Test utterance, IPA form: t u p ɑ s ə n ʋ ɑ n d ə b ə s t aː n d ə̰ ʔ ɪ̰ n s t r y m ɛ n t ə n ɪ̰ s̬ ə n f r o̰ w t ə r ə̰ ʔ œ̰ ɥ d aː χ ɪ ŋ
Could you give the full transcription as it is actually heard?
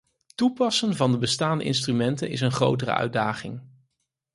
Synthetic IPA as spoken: t u p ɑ s ə n v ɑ n d ə b ə s t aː n d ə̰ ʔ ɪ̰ n s t r y m ɛ n t ə n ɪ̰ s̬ ə n χ r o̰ w t ə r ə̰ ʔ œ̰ ɥ d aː χ ɪ ŋ